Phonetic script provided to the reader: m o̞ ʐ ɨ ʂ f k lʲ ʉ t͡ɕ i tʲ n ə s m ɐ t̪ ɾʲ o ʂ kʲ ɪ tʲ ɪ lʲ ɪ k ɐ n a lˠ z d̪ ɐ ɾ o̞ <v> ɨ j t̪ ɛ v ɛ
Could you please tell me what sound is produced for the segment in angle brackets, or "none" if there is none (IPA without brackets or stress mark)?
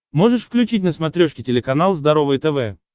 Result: v